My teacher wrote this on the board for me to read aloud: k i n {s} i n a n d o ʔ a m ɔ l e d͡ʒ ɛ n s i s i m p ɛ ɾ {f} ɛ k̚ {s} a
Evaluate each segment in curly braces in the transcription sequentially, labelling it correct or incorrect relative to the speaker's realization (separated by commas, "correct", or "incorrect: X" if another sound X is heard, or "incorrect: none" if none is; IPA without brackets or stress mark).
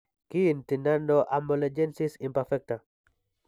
incorrect: t, correct, incorrect: t